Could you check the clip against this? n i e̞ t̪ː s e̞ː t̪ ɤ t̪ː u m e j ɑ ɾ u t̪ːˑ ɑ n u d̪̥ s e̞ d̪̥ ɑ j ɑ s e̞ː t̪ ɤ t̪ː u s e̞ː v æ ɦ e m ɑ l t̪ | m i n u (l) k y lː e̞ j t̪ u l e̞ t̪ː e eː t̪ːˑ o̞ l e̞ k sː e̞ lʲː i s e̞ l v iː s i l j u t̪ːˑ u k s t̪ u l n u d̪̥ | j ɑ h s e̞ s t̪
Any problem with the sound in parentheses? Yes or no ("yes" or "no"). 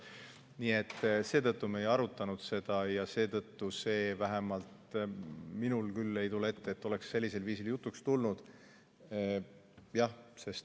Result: no